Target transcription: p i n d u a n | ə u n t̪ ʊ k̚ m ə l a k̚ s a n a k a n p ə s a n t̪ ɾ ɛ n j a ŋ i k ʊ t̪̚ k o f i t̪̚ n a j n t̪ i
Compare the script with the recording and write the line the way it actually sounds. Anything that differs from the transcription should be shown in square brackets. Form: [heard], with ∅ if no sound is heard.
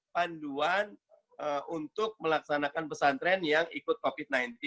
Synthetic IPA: p [a] n d u a n | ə u n t̪ ʊ k̚ m ə l a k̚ s a n a k a n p ə s a n t̪ ɾ ɛ n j a ŋ i k ʊ t̪̚ k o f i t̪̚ n a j n t̪ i

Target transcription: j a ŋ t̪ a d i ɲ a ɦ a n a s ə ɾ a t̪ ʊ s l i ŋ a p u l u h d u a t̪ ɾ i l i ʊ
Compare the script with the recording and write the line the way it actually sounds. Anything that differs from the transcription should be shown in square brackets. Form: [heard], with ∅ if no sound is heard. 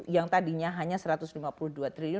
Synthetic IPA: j a ŋ t̪ a d i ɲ a ɦ a [ɲ] a s ə ɾ a t̪ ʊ s l i [m] a p u l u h d u a t̪ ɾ i l i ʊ

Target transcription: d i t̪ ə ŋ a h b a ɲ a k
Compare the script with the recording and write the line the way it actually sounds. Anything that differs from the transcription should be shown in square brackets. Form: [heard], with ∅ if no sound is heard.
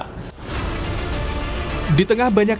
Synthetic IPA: d i t̪ ə ŋ a h b a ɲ a k

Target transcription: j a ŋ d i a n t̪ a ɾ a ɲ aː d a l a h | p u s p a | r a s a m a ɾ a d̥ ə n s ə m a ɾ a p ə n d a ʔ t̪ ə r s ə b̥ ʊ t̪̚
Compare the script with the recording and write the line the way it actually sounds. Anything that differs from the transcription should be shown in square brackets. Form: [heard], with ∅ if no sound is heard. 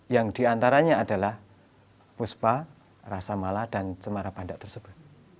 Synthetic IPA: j a ŋ d i a n t̪ a ɾ a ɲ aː d a l a h | p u s p a | r a s a m a [l] a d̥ [a] n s ə m a ɾ a p [a] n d a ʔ t̪ ə r s ə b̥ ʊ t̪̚

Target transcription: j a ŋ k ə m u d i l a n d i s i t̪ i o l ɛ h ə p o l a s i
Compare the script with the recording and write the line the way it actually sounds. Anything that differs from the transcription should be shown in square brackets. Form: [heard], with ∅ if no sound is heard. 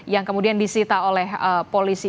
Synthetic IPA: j a ŋ k ə m u d i [∅] a n d i s i t̪ [a] o l ɛ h ə p o l [i] s i

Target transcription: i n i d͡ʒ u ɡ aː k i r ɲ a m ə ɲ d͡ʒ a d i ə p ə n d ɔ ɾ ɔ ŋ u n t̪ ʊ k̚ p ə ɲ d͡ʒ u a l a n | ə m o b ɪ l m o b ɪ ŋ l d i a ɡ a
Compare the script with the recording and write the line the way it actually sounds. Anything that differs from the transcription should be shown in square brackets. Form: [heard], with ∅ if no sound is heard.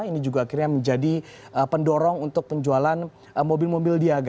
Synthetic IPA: i n i d͡ʒ u ɡ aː k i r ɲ a m ə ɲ d͡ʒ a d i ə p ə n d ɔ ɾ ɔ ŋ u n t̪ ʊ k̚ p ə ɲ d͡ʒ u a l a n | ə m o b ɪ l m o b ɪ [∅] l d i a ɡ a

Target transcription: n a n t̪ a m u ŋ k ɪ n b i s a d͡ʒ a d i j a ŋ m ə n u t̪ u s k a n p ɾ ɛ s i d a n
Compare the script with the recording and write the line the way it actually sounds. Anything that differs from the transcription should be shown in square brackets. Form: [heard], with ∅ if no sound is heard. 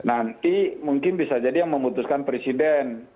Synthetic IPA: n a n t̪ [i] m u ŋ k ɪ n b i s a d͡ʒ a d i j a ŋ m ə [m] u t̪ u s k a n p ɾ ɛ s i d [ɛ] n

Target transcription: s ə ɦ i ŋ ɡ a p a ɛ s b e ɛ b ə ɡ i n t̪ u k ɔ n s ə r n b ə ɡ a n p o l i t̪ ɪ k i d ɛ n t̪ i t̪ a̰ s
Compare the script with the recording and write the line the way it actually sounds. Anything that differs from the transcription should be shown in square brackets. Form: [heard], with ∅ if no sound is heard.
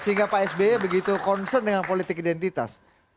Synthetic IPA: s ə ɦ i ŋ ɡ a p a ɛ s b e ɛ b ə ɡ i [∅] t̪ u k ɔ n s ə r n [d] ə [ŋ] a n p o l i t̪ ɪ k i d ɛ n t̪ i t̪ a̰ s

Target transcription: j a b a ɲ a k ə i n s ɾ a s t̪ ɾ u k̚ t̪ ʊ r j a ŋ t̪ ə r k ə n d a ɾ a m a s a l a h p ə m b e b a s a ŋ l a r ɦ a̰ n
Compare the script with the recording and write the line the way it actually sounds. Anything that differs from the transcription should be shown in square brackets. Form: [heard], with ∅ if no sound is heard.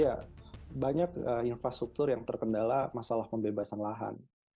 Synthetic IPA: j a b a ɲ a k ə i n [f] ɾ a s t̪ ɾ u k̚ t̪ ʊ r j a ŋ t̪ ə r k ə n d a [l] a m a s a l a h p ə m b e b a s a [n] l a [∅] ɦ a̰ n

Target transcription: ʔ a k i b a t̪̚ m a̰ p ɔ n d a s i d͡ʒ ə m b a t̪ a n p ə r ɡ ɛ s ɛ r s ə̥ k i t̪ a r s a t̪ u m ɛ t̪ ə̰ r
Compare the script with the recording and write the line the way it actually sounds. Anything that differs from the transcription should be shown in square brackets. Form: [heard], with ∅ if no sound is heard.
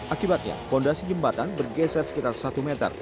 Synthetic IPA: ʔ a k i b a t̪̚ [ɲ] a̰ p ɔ n d a s i d͡ʒ ə m b a t̪ a n [b] ə r ɡ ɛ s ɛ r s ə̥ k i t̪ a r s a t̪ u m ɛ t̪ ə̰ r

